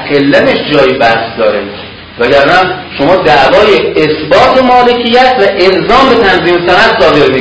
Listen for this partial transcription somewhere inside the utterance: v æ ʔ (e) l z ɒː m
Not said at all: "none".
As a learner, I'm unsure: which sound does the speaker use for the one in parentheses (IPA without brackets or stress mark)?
e